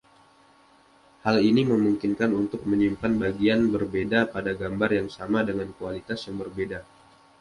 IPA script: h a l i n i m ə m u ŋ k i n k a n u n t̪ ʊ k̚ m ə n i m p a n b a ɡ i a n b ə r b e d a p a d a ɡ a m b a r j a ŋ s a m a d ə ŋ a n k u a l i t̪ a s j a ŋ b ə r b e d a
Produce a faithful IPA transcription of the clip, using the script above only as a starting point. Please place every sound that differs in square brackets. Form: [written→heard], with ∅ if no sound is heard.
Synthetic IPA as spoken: h a l i n i m ə m u ŋ k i n k a n u n t̪ ʊ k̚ m ə [n→ɲ] i m p a n b a ɡ i a n b ə r b e d a p a d a ɡ a m b a r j a ŋ s a m a d ə ŋ a n k u a l i t̪ a s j a ŋ b ə r b e d a